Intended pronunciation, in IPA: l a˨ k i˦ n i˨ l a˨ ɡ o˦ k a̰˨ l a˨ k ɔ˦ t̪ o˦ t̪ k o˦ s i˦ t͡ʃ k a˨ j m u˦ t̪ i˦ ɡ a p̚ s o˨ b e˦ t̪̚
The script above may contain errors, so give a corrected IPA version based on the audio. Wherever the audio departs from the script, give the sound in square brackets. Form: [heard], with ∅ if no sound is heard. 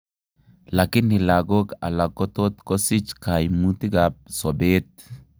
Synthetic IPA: l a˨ k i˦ n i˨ l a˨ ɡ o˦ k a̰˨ l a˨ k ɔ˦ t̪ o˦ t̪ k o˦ s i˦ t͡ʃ k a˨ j m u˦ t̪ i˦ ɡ a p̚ s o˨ b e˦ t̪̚